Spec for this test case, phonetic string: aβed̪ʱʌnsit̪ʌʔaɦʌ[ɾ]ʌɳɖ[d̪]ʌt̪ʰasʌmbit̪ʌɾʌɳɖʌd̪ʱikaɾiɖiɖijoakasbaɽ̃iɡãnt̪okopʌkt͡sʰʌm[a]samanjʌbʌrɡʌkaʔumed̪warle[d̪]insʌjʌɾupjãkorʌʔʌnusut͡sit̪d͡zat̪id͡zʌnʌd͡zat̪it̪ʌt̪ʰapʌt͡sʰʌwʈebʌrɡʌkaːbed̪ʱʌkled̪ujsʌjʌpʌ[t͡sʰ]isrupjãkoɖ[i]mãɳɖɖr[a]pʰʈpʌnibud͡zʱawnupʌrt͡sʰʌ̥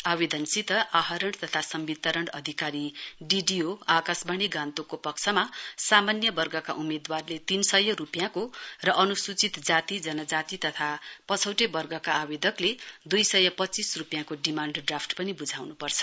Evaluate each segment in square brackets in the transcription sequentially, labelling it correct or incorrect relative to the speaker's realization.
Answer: correct, incorrect: t̪, correct, incorrect: t̪, incorrect: t͡s, correct, correct

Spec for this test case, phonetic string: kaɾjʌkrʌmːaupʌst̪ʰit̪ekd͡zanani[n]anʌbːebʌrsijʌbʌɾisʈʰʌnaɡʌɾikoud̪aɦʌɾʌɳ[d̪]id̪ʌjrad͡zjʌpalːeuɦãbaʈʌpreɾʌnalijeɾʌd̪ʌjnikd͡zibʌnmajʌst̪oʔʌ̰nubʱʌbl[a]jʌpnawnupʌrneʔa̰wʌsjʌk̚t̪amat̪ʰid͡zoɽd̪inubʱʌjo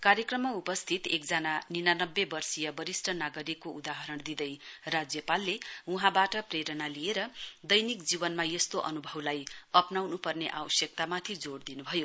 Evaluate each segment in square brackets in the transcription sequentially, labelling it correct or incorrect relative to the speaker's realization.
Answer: correct, correct, correct

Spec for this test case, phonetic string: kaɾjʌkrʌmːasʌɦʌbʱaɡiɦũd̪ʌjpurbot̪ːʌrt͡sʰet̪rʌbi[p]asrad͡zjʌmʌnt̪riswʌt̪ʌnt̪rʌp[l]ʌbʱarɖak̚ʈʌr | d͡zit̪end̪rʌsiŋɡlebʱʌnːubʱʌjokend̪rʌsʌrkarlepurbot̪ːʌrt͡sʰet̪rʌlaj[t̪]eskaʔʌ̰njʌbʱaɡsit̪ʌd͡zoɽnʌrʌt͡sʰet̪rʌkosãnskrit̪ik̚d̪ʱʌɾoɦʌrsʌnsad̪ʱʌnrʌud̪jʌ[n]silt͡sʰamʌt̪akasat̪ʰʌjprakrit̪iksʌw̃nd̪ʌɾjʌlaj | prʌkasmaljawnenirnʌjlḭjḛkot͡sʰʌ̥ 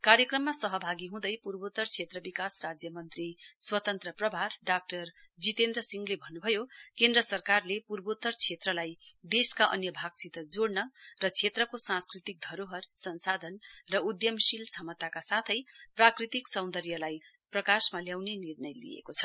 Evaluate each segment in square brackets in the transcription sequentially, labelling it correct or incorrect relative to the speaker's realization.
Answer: incorrect: k, incorrect: r, incorrect: d̪, incorrect: m

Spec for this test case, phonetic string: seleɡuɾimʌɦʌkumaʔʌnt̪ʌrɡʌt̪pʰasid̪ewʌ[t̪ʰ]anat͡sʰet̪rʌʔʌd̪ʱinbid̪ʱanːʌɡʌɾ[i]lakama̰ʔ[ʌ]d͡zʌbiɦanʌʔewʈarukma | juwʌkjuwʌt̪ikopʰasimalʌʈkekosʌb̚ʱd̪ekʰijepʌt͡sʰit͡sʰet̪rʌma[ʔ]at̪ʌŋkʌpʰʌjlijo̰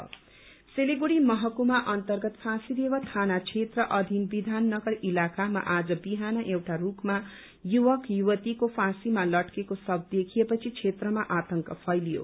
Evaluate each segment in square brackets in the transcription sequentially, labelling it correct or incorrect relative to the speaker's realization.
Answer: correct, correct, incorrect: a, correct

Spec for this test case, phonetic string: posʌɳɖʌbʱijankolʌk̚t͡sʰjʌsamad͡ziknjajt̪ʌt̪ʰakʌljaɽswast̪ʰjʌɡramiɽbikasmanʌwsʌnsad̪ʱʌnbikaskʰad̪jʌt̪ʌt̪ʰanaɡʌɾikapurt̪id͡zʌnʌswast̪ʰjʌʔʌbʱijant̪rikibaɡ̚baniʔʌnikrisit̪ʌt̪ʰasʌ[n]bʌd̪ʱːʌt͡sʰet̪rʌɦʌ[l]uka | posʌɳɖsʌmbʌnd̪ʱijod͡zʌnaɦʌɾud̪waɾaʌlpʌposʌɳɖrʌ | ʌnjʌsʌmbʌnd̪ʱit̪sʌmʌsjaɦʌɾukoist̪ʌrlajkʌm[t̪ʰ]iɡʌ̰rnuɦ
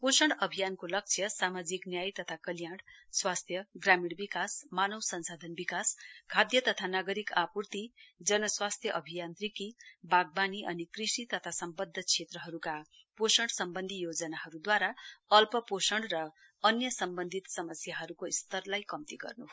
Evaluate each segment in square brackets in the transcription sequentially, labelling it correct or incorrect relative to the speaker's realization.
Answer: incorrect: m, incorrect: ɾ, incorrect: t̪

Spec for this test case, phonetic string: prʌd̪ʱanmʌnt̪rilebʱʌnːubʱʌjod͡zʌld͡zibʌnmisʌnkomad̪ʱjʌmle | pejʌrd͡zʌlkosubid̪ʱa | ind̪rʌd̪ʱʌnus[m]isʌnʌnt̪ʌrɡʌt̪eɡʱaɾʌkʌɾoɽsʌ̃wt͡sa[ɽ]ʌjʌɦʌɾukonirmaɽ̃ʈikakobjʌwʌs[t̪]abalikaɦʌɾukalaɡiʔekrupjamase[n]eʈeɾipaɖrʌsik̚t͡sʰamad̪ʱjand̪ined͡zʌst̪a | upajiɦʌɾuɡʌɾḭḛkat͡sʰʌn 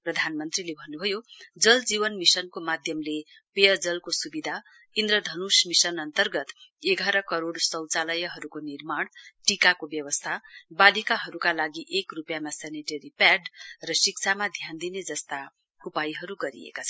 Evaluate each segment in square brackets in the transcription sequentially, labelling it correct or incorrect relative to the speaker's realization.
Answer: correct, incorrect: l, incorrect: t̪ʰ, correct

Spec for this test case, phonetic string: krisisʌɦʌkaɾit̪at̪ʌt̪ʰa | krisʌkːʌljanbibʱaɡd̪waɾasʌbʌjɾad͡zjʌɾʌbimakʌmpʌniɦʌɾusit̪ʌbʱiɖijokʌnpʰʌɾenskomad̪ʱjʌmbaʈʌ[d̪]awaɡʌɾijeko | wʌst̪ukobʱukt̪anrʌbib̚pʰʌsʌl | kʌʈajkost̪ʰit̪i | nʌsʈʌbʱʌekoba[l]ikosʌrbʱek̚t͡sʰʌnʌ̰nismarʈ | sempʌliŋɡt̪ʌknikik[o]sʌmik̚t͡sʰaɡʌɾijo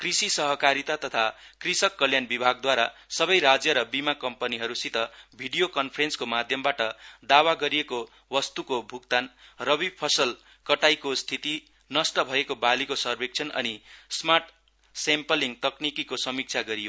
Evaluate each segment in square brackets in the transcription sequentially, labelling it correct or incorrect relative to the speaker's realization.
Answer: correct, correct, correct

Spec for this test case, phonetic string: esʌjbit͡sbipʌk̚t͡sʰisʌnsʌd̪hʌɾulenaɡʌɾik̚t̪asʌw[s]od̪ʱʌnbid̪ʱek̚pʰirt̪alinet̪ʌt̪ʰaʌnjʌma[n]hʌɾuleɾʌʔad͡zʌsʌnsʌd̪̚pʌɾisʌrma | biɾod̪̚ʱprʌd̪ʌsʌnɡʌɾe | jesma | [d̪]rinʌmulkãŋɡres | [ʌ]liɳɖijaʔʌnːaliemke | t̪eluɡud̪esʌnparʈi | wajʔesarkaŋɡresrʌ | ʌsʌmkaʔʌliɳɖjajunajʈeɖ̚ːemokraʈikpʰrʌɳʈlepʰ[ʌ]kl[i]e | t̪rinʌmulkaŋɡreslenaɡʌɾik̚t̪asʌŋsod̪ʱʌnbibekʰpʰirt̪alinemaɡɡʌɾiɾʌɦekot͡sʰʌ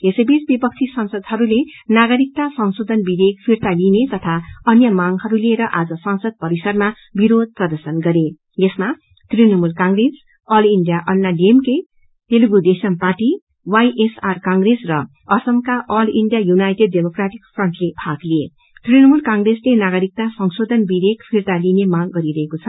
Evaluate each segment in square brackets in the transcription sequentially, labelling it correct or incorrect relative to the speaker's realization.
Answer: correct, incorrect: ŋ, incorrect: t̪, correct, incorrect: a, correct

